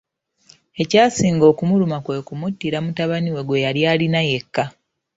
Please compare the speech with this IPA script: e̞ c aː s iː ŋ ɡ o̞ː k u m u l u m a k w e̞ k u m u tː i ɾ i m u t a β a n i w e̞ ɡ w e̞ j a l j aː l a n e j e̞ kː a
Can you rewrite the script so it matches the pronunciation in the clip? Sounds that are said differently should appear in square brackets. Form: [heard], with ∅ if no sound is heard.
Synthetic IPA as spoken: e̞ c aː s iː ŋ ɡ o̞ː k u m u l u m a k w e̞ k u m u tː i ɾ [a] m u t a β a n i w e̞ ɡ w e̞ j a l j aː l [i] n [a] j e̞ kː a